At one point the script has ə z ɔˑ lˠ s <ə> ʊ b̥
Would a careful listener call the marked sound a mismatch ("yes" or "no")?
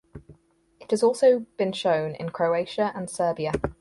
no